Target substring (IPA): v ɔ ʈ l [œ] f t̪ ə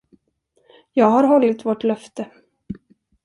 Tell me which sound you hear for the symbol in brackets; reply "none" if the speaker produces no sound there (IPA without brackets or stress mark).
œ